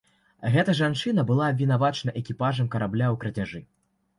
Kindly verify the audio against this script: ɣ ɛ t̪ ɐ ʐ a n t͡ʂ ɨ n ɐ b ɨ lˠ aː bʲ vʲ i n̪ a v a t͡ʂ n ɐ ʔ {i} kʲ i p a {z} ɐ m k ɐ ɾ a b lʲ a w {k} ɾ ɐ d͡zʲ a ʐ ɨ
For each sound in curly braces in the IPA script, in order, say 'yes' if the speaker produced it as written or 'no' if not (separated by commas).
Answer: no, no, yes